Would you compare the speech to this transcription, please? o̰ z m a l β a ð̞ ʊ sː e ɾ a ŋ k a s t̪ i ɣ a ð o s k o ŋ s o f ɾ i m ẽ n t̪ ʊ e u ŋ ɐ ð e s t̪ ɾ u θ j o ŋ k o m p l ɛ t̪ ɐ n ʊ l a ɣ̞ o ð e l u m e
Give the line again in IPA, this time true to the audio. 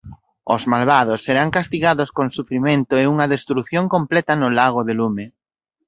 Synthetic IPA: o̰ z m a l β a ð̞ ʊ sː e ɾ a ŋ k a s t̪ i ɣ a ð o s k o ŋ s u f ɾ i m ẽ n t̪ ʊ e u ŋ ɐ ð e s t̪ ɾ u θ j o ŋ k o m p l ɛ t̪ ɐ n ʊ l a ɣ̞ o ð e l u m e